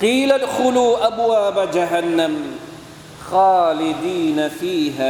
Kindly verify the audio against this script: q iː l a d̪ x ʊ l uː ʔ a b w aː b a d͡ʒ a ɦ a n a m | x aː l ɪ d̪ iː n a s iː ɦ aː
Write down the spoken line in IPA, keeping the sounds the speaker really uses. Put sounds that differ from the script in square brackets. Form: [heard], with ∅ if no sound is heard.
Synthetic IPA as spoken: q iː l a d̪ x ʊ l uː ʔ a b w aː b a d͡ʒ a ɦ a [nː] a m | x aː l ɪ d̪ iː n a [f] iː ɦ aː